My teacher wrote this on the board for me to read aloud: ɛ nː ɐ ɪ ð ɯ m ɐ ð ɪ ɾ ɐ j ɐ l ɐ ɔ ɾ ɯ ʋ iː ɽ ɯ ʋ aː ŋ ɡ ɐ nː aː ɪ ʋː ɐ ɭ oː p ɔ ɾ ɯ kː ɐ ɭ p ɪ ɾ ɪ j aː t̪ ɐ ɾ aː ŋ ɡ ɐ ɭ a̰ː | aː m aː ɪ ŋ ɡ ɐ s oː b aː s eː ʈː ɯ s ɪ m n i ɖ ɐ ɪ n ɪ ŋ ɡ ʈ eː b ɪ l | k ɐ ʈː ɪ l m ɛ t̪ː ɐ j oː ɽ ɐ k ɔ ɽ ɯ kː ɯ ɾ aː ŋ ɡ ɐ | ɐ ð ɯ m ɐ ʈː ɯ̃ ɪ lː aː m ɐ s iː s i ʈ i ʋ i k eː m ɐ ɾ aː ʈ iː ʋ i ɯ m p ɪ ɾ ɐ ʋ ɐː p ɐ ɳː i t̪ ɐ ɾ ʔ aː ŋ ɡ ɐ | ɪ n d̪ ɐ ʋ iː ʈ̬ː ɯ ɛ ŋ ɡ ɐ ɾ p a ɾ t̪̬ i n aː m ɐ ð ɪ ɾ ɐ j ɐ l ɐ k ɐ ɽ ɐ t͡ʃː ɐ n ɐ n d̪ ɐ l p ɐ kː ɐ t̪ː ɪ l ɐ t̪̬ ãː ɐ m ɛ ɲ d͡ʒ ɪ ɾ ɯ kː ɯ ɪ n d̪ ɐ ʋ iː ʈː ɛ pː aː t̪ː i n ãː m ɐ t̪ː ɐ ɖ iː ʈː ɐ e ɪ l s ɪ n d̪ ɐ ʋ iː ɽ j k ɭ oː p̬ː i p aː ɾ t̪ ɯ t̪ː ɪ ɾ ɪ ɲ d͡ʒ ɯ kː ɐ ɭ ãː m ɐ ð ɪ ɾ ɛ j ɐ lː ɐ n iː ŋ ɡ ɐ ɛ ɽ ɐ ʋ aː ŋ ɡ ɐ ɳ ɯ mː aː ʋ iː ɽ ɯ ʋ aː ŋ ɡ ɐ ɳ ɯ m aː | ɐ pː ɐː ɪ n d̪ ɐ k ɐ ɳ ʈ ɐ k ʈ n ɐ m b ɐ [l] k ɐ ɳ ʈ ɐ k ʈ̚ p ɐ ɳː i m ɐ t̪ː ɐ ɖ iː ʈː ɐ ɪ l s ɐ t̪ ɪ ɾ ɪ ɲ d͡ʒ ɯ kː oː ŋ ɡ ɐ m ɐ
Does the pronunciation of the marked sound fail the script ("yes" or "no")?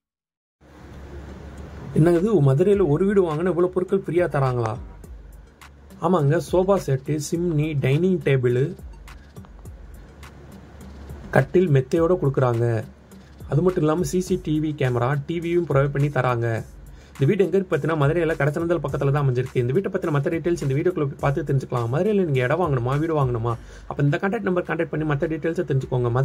yes